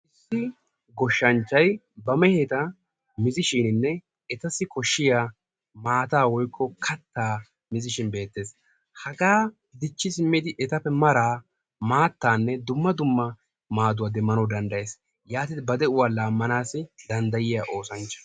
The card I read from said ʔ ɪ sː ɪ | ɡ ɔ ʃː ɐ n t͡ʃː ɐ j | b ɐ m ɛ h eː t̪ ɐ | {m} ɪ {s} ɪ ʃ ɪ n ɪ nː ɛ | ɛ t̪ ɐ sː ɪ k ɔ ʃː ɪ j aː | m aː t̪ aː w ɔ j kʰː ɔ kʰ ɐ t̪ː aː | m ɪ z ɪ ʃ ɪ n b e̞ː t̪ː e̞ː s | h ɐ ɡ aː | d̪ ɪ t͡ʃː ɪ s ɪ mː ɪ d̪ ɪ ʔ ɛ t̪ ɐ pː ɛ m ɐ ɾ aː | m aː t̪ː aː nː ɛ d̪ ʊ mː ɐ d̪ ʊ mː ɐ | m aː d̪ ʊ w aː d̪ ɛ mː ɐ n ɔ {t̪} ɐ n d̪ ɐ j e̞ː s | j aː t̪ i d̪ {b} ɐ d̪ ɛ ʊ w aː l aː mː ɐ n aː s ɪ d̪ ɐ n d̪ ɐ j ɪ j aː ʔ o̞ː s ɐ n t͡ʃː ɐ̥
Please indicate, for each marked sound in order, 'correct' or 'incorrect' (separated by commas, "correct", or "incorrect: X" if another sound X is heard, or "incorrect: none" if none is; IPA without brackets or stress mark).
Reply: correct, incorrect: z, incorrect: d̪, correct